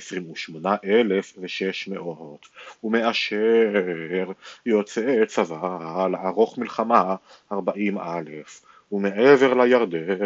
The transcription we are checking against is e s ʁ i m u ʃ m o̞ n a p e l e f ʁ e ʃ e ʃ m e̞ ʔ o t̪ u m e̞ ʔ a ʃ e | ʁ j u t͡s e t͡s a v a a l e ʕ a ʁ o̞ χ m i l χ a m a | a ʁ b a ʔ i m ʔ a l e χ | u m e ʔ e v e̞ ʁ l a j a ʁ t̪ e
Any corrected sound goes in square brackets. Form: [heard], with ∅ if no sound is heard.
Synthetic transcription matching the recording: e s ʁ i m u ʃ m o̞ n a [ʔ] e l e f [v] e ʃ e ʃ m e̞ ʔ o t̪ u m e̞ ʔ a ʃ e | ʁ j [o] t͡s e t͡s a v a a l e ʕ a ʁ o̞ χ m i l χ a m a | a ʁ b a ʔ i m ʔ a l e [f] | u m e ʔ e v e̞ ʁ l a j a ʁ [d̪] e